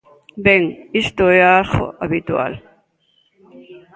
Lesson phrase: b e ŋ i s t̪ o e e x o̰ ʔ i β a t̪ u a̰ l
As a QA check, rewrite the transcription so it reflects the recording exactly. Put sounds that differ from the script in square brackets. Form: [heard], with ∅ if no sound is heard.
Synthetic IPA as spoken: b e ŋ i s t̪ o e [a] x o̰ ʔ [a] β [i] t̪ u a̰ l